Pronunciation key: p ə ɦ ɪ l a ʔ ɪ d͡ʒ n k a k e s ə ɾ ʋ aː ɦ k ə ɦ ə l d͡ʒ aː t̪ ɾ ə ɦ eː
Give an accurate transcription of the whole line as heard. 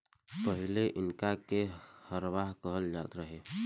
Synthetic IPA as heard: p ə ɦ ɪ l e ʔ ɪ n k a k e h ə ɾ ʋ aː ɦ k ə ɦ ə l d͡ʒ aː t̪ ɾ ə ɦ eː